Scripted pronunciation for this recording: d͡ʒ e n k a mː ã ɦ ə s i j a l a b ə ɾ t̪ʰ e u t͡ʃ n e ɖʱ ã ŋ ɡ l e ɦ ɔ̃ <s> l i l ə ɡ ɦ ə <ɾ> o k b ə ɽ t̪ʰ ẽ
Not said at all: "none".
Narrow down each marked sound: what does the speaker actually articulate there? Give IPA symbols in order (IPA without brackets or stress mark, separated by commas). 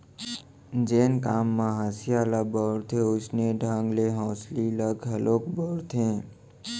s, l